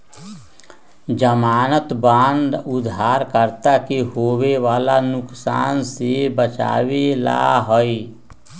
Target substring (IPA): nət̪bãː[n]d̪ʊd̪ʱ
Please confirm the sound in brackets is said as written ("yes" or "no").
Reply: yes